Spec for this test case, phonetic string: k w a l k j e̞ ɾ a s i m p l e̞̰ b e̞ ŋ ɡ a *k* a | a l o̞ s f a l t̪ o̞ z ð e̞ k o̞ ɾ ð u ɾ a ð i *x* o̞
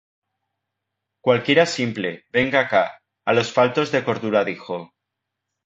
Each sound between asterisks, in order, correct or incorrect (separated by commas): correct, correct